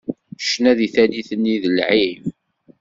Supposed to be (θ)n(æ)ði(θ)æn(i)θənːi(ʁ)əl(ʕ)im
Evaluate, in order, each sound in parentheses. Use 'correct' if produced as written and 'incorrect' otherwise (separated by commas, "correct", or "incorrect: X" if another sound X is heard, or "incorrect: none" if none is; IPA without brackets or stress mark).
incorrect: ʃ, correct, correct, correct, incorrect: ð, correct